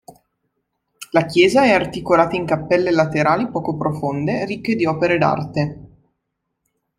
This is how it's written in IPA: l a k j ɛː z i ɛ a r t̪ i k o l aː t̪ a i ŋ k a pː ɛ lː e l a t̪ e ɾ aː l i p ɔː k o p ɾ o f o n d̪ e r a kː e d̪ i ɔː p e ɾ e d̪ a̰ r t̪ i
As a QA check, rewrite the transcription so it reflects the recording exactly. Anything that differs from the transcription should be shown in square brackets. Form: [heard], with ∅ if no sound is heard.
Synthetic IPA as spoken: l a k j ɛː z [a] ɛ a r t̪ i k o l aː t̪ a i ŋ k a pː ɛ lː e l a t̪ e ɾ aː l i p ɔː k o p ɾ o f o n d̪ e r [i] kː e d̪ i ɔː p e ɾ e d̪ a̰ r t̪ [e]

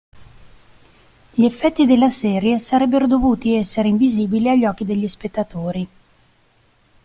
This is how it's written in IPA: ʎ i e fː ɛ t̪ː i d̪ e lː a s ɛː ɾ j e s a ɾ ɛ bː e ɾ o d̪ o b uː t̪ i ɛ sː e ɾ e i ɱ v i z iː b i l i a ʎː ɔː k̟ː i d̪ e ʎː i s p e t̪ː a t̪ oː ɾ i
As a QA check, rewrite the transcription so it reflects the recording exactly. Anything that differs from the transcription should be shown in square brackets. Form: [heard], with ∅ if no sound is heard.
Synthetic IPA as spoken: ʎ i e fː ɛ t̪ː i d̪ e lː a s ɛː ɾ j e s a ɾ ɛ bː e ɾ o d̪ o [v] uː t̪ i ɛ sː e ɾ e i ɱ v i z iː b i l i a ʎː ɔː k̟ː i d̪ e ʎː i s p e t̪ː a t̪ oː ɾ i

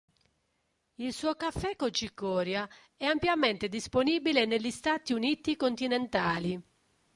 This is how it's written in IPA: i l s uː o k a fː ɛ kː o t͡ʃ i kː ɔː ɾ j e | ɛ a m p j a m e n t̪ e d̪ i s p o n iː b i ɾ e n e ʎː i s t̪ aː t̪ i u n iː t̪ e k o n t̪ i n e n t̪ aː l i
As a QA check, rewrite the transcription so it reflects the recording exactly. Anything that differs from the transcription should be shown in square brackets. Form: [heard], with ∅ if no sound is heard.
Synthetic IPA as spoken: i l s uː o k a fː ɛ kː o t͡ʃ i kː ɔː ɾ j [a] | ɛ a m p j a m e n t̪ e d̪ i s p o n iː b i [l] e n e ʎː i s t̪ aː t̪ i u n iː t̪ [i] k o n t̪ i n e n t̪ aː l i

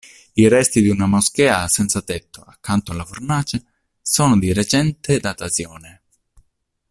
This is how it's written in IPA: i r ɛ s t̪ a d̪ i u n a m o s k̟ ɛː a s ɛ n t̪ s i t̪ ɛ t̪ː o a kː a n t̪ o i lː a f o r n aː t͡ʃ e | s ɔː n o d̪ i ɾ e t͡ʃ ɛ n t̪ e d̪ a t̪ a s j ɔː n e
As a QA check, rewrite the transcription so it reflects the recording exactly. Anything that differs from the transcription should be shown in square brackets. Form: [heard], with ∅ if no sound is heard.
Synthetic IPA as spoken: i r ɛ s t̪ [i] d̪ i u n a m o s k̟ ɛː a s ɛ n t̪ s [a] t̪ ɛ t̪ː o a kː a n t̪ o [a] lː a f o r n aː t͡ʃ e | s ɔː n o d̪ i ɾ e t͡ʃ ɛ n t̪ e d̪ a t̪ a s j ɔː n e

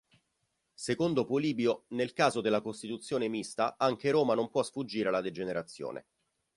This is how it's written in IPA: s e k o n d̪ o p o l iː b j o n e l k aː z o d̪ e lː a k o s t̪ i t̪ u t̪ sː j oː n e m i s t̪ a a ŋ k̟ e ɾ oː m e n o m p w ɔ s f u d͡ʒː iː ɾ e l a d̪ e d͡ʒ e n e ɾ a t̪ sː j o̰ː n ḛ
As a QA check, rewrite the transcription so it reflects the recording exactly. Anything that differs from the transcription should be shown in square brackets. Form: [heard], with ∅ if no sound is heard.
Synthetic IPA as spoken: s e k o n d̪ o p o l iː b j o n e l k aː z o d̪ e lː a k o s t̪ i t̪ u t̪ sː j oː n e m i s t̪ a a ŋ k̟ e ɾ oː m [a] n o m p w ɔ s f u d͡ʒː iː ɾ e l a d̪ e d͡ʒ e n e ɾ a t̪ sː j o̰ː n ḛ

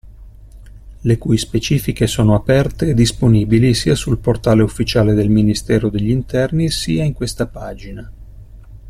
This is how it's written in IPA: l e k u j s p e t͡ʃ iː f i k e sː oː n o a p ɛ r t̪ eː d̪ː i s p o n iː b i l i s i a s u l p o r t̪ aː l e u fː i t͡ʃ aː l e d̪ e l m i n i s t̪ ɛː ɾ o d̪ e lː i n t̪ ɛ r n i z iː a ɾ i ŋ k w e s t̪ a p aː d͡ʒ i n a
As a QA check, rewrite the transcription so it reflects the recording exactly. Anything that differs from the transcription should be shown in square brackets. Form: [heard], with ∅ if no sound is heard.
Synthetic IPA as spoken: l e k u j s p e t͡ʃ iː f i k e [s] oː n o a p ɛ r t̪ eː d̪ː i s p o n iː b i l i s i a s u l p o r t̪ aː l e u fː i t͡ʃ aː l e d̪ e l m i n i s t̪ ɛː ɾ o d̪ e [ʎː] i n t̪ ɛ r n i [s] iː a [∅] i ŋ k w e s t̪ a p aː d͡ʒ i n a

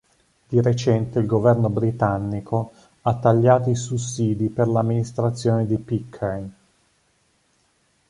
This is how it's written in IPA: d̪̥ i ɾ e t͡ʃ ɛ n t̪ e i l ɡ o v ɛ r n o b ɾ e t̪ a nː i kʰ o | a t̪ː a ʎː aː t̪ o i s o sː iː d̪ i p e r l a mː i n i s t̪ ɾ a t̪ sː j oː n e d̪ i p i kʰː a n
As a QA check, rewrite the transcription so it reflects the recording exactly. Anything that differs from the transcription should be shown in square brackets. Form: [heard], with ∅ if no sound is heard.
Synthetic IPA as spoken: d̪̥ i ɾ e t͡ʃ ɛ n t̪ e i l ɡ o v ɛ r n o b ɾ [i] t̪ a nː i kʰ o | a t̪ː a ʎː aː t̪ o i s [u] sː iː d̪ i p e r l a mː i n i s t̪ ɾ a t̪ sː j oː n e d̪ i p i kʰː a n

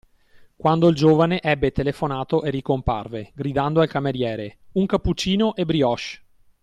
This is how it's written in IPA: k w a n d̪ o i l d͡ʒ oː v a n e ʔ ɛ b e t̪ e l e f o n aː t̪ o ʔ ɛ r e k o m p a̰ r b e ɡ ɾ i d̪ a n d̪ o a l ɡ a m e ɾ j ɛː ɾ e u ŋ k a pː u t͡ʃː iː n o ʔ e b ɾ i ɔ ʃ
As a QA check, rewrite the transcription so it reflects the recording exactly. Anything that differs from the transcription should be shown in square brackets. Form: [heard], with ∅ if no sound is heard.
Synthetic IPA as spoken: k w a n d̪ o i l d͡ʒ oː v a n e ʔ ɛ [bː] e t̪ e l e f o n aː t̪ o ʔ [e] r [i] k o m p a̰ r [v] e ɡ ɾ i d̪ a n d̪ o a l [k] a m e ɾ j ɛː ɾ e u ŋ k a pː u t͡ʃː iː n o ʔ e b ɾ i ɔ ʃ

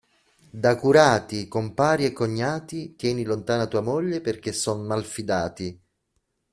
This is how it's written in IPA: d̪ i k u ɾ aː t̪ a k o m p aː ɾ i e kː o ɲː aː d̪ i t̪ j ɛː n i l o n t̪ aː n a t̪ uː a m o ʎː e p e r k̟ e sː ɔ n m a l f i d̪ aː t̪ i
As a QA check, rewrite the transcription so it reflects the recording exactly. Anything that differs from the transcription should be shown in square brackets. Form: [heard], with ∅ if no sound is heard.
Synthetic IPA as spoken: d̪ [a] k u ɾ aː t̪ [i] k o m p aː ɾ i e kː o ɲː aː [t̪] i t̪ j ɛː n i l o n t̪ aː n a t̪ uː a m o ʎː e p e r k̟ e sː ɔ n m a l f i d̪ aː t̪ i

